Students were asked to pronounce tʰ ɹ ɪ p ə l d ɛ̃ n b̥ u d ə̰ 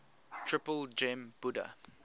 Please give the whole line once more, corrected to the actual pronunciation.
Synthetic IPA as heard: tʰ ɹ ɪ p ə l d͡ʒ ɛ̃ m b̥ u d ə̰